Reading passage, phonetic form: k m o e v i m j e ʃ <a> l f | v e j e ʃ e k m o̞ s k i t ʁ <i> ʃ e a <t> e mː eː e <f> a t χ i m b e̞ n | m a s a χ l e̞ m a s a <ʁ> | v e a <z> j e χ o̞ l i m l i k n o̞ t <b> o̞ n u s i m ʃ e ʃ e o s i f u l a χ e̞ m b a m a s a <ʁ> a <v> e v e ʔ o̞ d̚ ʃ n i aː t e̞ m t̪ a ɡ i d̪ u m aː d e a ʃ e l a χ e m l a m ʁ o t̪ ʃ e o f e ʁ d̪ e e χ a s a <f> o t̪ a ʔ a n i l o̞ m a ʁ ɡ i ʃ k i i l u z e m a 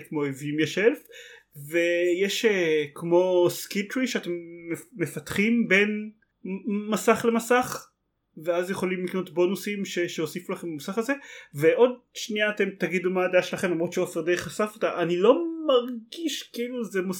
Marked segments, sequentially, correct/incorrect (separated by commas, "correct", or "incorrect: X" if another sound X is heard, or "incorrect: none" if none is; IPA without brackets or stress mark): incorrect: e, correct, correct, correct, incorrect: χ, correct, correct, incorrect: χ, incorrect: z, correct